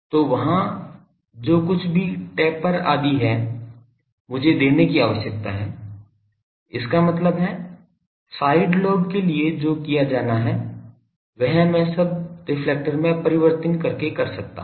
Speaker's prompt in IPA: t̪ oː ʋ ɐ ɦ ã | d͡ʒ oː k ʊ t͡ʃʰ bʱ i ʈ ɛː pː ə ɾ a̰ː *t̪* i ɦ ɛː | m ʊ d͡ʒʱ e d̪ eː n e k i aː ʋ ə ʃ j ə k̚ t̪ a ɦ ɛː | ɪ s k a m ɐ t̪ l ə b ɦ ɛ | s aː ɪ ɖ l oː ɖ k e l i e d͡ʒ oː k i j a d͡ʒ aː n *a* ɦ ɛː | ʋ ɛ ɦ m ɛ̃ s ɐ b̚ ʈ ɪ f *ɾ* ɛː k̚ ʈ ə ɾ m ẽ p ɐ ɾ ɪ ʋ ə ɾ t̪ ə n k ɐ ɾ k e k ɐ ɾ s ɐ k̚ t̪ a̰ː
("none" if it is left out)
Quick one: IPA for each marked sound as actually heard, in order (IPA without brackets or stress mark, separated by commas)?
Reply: d̪, a, l